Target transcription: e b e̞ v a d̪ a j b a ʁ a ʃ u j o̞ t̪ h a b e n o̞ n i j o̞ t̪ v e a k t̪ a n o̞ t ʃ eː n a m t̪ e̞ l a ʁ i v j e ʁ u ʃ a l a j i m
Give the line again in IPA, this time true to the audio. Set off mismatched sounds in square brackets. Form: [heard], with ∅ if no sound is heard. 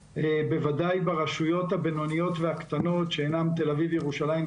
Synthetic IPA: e b e̞ v a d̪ a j b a ʁ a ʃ u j o̞ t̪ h a b e n o̞ n i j o̞ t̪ v e a k t̪ a n o̞ t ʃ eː n a m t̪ e̞ l a [v] i v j e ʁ u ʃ a l a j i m